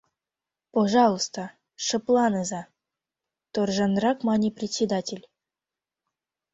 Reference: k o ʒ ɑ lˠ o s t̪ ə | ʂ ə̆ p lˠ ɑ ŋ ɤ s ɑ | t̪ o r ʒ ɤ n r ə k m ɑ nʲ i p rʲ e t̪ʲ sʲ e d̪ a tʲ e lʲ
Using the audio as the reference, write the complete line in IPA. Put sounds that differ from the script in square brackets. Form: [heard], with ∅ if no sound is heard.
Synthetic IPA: [p] o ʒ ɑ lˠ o s t̪ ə | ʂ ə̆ p lˠ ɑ [n] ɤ [z] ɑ | t̪ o r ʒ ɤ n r [ɑ] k m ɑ nʲ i p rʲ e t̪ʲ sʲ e d̪ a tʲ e lʲ